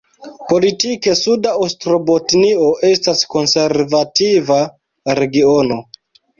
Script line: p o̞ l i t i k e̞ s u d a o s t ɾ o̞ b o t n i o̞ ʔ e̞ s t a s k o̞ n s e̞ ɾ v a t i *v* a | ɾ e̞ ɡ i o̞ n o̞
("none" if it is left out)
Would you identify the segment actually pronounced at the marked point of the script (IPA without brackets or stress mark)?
v